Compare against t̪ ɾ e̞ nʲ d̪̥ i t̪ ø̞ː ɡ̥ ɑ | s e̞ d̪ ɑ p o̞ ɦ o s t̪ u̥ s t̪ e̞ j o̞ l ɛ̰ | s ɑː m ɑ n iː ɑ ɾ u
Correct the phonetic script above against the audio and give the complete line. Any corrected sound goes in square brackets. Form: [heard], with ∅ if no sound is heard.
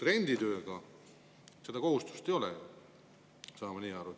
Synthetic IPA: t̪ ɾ e̞ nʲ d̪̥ i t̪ ø̞ː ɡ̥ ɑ | s e̞ d̪ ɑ [k] o̞ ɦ [u] s t̪ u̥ s t̪ e̞ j o̞ l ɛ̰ | s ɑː m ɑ n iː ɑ ɾ u